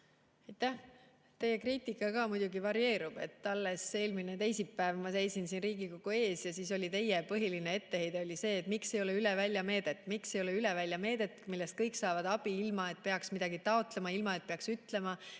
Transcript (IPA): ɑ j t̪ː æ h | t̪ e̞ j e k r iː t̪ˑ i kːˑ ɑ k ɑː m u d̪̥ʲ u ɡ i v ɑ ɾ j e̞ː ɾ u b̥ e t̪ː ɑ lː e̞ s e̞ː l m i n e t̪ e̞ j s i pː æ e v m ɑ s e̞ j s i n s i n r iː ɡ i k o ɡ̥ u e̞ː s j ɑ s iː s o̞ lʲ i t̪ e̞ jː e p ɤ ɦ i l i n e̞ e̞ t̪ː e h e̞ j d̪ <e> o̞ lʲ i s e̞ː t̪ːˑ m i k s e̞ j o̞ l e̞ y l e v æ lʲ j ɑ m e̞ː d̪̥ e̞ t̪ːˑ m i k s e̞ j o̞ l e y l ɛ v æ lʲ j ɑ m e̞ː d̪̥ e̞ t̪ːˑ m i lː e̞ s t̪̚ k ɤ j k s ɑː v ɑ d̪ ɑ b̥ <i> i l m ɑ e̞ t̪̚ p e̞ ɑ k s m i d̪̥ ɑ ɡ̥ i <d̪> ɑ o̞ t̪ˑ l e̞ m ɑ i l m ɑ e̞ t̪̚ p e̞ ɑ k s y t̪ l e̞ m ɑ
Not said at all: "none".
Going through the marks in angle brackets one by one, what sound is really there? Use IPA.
e, i, t̪

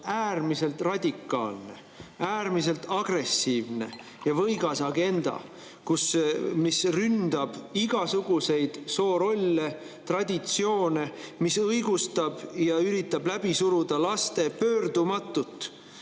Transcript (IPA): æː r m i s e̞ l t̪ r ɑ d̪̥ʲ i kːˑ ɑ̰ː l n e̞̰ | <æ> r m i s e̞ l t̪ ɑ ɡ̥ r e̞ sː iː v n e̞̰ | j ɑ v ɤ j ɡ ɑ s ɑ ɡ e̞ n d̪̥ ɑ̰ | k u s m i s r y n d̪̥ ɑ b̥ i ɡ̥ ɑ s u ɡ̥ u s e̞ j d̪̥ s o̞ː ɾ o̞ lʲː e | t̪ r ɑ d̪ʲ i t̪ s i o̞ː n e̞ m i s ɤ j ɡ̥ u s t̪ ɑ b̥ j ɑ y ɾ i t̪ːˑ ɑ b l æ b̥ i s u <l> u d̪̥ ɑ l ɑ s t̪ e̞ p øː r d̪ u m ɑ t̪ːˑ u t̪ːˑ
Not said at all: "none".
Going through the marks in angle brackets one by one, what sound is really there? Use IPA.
æː, ɾ

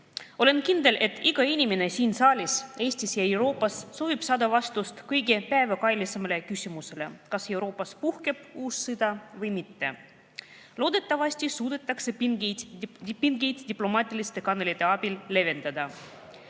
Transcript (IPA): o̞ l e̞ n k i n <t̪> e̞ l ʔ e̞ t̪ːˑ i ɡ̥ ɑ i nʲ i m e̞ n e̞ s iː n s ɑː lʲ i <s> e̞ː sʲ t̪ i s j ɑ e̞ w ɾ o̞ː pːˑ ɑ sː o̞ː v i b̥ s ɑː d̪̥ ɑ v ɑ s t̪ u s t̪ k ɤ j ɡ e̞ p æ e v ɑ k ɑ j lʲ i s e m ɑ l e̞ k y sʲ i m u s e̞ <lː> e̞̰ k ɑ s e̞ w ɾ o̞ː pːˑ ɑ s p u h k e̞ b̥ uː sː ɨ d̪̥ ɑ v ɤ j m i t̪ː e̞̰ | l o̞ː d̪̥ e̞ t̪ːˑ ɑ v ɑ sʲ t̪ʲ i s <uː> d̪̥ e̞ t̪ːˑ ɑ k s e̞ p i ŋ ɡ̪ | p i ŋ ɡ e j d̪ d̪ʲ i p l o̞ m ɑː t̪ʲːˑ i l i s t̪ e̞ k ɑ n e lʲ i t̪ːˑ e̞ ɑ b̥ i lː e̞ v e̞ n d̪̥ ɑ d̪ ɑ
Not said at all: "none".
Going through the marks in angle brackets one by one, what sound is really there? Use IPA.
d̪, s, l, uː

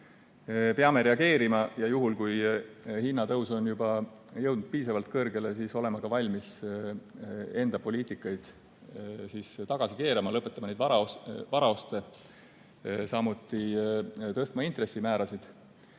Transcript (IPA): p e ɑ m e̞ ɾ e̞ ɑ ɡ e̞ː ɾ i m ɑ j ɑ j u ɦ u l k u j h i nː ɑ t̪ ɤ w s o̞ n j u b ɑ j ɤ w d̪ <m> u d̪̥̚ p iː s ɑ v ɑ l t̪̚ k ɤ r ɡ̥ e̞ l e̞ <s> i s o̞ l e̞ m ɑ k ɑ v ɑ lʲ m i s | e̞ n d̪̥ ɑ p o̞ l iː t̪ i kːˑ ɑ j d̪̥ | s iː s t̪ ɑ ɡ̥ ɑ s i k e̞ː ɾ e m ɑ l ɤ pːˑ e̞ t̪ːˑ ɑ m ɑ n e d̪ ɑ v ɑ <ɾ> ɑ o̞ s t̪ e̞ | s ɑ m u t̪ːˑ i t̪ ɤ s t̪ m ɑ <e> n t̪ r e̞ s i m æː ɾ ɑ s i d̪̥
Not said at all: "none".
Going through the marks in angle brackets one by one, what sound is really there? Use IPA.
n, s, ɾ, i

